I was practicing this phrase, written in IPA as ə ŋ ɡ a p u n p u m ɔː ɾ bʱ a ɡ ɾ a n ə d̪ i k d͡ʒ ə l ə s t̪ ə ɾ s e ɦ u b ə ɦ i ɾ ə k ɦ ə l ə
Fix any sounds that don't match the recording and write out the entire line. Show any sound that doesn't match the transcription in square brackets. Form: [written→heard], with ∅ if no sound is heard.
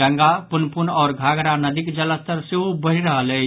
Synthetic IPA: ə ŋ ɡ a p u n p u [m→n] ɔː ɾ [bʱ→ɡʱ] a ɡ ɾ a n ə d̪ i k d͡ʒ ə l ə s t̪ ə ɾ s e ɦ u b ə ɦ i ɾ ə [k→∅] ɦ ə l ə

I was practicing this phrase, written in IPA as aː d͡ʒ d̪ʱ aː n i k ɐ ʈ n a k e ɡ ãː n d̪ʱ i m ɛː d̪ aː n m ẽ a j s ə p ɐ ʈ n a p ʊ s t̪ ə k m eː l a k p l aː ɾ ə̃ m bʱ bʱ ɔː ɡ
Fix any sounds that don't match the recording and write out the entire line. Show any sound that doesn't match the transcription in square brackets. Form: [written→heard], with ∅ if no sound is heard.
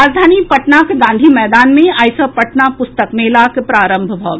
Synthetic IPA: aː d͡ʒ d̪ʱ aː n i [k→p] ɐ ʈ n a k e ɡ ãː n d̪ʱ i m ɛː d̪ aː n m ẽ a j s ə p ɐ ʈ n a p ʊ s t̪ ə k m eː l a k p [l→ɾ] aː ɾ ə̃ m bʱ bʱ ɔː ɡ

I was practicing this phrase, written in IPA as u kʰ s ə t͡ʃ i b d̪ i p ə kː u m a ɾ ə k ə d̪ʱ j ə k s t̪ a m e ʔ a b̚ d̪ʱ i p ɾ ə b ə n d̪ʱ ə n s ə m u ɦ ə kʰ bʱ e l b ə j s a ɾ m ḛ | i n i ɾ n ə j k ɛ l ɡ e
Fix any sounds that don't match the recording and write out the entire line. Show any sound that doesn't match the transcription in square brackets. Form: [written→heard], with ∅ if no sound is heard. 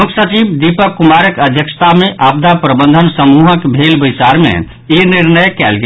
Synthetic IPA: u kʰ s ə t͡ʃ i b d̪ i p ə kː u m a ɾ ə k ə d̪ʱ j ə k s t̪ a m e ʔ a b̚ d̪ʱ [i→a] p ɾ ə b ə n d̪ʱ ə n s ə m u ɦ ə [kʰ→k] bʱ e l b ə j s a ɾ m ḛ | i n i ɾ n ə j k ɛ l ɡ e

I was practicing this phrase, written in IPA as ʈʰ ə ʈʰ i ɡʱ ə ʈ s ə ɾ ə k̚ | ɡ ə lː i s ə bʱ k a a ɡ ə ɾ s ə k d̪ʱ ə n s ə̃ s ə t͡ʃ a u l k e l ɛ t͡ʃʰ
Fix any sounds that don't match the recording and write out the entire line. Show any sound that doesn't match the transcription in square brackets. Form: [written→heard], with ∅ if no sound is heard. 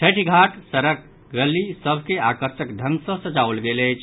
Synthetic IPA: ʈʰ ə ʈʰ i ɡʱ [ə→a] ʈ s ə ɾ ə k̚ | ɡ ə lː i s ə bʱ k [a→e] a [ɡ→k] ə ɾ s ə k d̪ʱ ə n s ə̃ s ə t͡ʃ a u l [k→ɡ] e l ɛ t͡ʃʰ

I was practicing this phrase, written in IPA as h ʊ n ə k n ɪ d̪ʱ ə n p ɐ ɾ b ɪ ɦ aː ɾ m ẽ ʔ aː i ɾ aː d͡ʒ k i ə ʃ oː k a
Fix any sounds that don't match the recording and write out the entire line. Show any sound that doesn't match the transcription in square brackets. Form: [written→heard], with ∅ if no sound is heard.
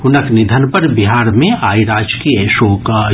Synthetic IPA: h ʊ n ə k n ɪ d̪ʱ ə n p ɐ ɾ b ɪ ɦ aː ɾ m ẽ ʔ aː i ɾ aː d͡ʒ k i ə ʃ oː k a

